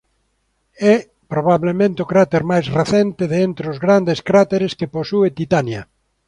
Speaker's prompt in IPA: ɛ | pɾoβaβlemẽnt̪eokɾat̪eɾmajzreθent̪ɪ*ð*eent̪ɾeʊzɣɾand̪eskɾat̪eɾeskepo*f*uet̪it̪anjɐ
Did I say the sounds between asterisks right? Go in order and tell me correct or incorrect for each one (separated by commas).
correct, incorrect